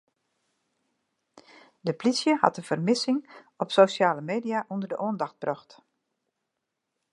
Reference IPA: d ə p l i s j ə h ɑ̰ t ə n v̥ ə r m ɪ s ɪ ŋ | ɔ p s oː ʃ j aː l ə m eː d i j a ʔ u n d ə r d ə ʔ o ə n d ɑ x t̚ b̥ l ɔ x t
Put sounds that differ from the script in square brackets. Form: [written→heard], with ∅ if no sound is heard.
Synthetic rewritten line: d ə p l i s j ə h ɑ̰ t ə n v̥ ə r m ɪ s ɪ ŋ | ɔ p s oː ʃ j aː l ə m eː d i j a ʔ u n d ə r d ə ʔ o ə n d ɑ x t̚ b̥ [l→r] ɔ x t